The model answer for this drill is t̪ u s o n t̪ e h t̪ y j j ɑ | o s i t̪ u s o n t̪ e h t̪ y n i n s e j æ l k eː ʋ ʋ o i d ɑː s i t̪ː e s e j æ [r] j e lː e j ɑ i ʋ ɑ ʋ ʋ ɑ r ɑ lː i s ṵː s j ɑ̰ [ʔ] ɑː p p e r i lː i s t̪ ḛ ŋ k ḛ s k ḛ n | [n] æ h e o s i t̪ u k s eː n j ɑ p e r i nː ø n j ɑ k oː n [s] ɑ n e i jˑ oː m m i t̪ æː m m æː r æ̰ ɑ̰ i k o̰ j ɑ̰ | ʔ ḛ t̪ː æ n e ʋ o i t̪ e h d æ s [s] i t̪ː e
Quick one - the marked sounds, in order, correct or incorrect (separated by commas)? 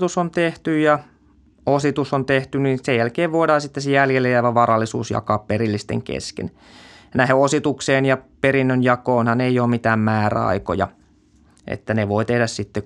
incorrect, incorrect, correct, incorrect, correct